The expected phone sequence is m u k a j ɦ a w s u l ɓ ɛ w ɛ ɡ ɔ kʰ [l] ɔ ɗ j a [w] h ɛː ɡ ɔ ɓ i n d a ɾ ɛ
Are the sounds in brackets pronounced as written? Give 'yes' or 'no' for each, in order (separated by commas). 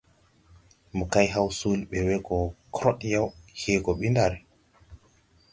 no, yes